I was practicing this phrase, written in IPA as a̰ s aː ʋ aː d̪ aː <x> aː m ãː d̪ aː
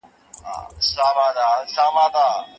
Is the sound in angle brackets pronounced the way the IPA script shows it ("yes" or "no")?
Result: no